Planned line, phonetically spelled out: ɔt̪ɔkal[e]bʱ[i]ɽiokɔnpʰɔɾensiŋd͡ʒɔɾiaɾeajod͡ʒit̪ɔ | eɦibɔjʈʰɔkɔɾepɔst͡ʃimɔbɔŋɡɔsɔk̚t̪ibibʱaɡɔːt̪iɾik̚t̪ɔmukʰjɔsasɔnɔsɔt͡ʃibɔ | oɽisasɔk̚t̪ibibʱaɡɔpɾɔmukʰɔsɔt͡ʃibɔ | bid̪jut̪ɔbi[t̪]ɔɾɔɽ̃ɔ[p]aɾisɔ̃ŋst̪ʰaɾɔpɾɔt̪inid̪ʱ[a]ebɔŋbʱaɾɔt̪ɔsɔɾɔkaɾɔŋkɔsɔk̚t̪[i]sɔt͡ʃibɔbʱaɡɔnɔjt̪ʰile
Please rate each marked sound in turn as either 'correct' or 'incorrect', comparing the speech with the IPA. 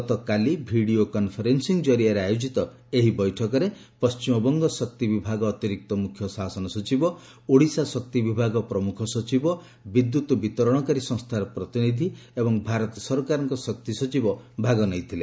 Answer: incorrect, correct, correct, incorrect, incorrect, correct

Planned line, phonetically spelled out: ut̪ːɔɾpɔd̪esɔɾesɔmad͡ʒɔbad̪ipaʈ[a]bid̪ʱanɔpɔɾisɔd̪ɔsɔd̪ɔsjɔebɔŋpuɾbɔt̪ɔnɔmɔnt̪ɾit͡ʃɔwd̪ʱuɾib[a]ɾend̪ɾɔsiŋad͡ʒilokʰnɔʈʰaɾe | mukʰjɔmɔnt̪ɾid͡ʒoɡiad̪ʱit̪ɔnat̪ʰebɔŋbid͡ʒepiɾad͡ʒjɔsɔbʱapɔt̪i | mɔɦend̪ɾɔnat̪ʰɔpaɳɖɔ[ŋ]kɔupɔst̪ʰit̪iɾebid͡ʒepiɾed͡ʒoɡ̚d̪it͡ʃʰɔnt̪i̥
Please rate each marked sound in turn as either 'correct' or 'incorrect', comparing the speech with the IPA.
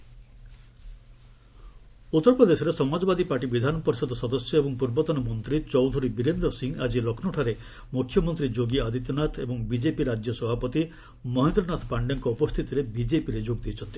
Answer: incorrect, incorrect, correct

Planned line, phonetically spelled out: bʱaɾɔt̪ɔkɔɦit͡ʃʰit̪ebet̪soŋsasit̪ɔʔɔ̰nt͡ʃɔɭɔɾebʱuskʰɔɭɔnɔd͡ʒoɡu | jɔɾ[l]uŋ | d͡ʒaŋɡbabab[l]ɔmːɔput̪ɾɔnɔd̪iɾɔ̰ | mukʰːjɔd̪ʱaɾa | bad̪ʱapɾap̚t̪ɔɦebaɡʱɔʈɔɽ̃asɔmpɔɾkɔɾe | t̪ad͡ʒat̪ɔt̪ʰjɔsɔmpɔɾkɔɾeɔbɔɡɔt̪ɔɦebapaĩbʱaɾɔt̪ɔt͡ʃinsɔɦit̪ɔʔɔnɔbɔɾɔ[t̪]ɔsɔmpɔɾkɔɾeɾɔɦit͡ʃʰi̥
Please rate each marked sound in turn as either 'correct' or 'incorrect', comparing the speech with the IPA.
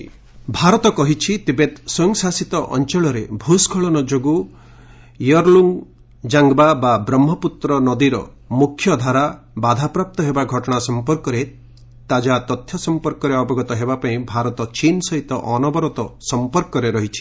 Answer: correct, incorrect, correct

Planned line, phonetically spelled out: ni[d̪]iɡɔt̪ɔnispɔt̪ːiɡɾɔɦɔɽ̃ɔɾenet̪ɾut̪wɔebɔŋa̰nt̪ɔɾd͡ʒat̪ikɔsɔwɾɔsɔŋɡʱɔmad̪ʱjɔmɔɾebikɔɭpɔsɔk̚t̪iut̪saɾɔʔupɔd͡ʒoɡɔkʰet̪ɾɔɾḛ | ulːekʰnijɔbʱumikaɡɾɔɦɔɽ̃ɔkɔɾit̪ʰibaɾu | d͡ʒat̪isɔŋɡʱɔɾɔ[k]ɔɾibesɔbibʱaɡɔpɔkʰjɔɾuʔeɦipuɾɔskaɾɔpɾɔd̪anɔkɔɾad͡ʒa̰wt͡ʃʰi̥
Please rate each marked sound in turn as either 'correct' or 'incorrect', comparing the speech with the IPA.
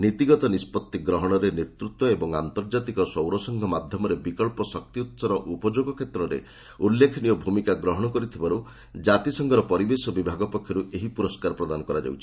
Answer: incorrect, incorrect

